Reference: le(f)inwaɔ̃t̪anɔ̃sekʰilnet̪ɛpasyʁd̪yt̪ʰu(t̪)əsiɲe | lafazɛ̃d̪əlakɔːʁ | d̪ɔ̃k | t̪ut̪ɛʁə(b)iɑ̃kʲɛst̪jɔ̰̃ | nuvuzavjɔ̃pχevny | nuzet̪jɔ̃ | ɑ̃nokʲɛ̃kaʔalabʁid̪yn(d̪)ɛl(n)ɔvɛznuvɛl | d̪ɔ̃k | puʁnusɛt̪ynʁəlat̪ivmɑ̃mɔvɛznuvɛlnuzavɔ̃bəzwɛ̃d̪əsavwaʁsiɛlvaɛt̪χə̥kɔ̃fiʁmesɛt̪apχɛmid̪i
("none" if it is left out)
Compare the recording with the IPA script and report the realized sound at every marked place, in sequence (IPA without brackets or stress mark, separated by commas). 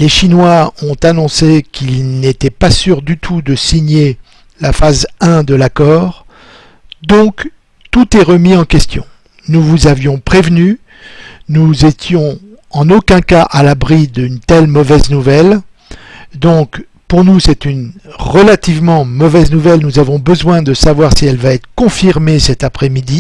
ʃ, d̪, m, t̪, m